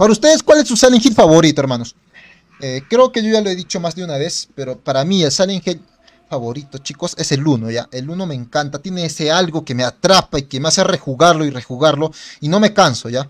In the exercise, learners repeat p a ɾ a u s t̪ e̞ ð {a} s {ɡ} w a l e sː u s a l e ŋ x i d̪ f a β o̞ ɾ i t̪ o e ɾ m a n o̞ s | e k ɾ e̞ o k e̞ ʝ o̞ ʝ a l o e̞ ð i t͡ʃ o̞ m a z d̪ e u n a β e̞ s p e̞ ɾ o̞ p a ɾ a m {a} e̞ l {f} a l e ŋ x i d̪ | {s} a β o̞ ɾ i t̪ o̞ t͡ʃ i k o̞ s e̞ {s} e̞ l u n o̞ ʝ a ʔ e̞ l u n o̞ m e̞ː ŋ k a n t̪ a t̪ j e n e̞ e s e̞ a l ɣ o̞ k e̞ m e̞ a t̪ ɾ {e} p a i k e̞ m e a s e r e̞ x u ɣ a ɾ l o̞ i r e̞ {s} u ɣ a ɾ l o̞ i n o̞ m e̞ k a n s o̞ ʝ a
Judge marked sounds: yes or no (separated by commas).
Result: no, no, no, no, no, yes, no, no